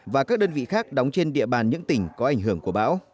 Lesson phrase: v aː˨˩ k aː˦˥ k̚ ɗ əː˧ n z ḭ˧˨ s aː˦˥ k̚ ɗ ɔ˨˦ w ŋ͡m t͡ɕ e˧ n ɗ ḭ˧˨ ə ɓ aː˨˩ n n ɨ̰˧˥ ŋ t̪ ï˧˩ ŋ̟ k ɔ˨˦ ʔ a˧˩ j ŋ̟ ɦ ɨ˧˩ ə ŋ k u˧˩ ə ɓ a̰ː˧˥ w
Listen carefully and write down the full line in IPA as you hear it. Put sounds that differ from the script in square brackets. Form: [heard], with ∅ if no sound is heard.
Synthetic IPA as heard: v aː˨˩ k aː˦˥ k̚ ɗ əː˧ n [v] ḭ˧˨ [x] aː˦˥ k̚ ɗ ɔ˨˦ w ŋ͡m t͡ɕ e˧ n ɗ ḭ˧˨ ə ɓ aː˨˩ n [ɲ] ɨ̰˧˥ ŋ t̪ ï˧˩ ŋ̟ k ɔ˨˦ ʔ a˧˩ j ŋ̟ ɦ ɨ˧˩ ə ŋ k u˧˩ ə ɓ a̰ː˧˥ w